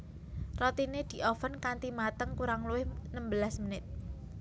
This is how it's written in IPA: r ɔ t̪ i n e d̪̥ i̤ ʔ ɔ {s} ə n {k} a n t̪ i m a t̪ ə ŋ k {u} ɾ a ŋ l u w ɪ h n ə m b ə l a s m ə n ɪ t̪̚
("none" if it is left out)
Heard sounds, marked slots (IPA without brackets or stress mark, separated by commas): f, k, u